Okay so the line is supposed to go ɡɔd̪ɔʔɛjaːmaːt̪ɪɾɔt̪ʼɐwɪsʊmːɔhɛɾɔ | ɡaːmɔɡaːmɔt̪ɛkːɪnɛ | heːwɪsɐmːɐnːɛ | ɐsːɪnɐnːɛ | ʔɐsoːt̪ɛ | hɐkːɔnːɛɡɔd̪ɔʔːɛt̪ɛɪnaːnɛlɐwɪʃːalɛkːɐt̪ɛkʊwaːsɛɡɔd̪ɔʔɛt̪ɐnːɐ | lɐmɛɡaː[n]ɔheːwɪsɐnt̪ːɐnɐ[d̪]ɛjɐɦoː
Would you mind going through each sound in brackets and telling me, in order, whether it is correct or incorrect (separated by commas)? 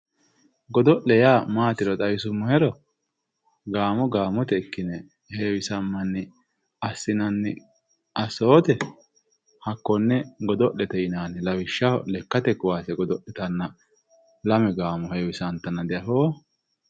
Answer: incorrect, correct